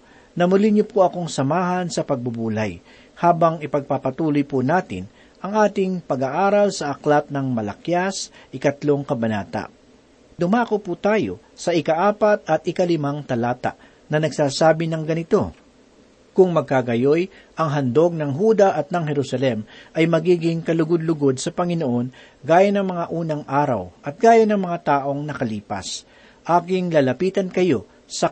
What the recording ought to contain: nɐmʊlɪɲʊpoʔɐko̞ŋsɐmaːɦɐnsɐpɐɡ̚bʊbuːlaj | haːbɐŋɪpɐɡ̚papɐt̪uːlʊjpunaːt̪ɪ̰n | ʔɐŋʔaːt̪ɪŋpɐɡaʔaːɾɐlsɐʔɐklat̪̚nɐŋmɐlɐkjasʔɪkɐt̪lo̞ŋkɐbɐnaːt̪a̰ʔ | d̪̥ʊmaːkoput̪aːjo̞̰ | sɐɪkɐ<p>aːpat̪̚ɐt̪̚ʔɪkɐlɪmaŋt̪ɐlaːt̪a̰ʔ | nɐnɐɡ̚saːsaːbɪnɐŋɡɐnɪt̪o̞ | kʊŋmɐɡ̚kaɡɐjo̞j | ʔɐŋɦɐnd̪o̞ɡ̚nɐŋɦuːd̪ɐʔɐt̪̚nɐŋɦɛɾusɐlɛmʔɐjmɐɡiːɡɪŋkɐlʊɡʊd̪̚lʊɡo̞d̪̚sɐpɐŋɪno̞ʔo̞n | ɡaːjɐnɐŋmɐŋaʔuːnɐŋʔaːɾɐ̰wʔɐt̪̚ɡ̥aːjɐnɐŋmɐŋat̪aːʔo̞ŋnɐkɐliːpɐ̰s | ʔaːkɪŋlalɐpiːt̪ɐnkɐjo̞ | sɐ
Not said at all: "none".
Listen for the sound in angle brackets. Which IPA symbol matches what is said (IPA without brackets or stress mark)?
ʔ